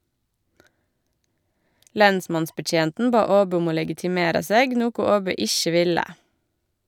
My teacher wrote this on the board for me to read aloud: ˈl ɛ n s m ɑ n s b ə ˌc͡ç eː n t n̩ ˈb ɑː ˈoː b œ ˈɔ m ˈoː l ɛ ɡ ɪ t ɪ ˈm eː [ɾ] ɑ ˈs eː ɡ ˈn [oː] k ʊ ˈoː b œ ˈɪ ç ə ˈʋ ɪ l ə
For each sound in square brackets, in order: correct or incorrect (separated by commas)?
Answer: correct, incorrect